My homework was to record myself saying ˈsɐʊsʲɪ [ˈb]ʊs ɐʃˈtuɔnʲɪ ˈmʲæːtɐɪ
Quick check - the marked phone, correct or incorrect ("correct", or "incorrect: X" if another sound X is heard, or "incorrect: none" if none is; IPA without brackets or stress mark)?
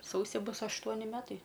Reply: correct